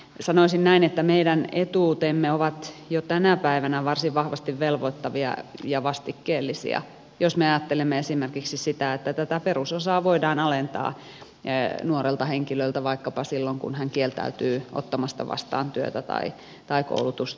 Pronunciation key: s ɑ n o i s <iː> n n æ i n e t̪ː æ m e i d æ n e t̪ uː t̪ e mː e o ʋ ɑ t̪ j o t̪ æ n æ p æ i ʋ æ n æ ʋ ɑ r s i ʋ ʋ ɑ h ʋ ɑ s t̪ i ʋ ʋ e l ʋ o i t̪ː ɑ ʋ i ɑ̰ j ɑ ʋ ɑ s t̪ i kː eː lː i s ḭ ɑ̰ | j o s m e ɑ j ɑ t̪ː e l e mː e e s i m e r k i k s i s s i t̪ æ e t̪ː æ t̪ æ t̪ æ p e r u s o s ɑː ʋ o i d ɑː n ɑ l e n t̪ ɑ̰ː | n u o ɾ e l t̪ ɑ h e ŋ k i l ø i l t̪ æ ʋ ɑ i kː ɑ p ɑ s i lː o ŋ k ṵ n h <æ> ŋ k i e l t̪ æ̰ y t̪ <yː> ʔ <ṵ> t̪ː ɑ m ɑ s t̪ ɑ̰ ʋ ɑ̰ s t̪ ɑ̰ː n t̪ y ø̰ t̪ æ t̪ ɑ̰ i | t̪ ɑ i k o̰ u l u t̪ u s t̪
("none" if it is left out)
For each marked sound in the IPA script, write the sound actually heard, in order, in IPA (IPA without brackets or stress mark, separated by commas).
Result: i, æ, yː, o̰